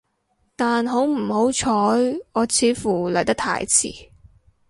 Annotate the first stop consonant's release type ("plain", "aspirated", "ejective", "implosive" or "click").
plain